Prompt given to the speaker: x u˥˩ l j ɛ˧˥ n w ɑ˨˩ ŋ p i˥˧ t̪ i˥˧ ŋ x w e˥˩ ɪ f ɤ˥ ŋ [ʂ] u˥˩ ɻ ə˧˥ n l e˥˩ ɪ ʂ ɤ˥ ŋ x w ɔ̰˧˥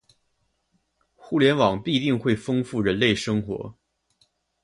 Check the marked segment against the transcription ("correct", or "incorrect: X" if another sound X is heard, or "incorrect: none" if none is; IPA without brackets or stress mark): incorrect: f